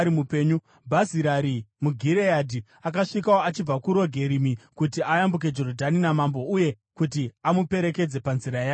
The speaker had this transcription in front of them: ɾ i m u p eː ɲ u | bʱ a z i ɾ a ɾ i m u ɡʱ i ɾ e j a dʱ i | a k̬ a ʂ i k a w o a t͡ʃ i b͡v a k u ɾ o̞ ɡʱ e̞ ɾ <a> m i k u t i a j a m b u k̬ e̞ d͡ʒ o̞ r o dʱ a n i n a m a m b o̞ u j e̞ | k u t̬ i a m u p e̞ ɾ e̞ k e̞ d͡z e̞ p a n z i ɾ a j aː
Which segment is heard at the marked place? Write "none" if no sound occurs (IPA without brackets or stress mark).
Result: i